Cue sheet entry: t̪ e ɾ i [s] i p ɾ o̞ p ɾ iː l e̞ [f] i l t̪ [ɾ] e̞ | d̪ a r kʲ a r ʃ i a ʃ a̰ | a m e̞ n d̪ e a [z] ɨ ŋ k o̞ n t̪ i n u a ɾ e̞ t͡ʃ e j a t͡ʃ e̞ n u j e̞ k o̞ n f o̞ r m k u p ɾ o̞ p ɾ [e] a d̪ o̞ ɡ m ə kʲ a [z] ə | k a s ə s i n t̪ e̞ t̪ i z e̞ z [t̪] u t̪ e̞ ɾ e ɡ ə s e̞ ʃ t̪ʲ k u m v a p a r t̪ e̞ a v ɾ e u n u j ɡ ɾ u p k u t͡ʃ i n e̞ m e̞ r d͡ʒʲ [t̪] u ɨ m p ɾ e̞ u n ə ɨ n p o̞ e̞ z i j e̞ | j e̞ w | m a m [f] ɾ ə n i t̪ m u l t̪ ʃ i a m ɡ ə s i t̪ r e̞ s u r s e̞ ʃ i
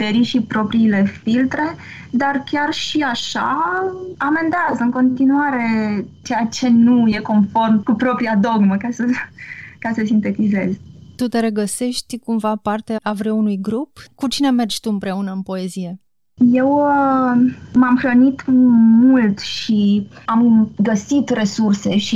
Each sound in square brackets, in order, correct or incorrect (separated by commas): incorrect, correct, correct, correct, incorrect, incorrect, correct, correct, incorrect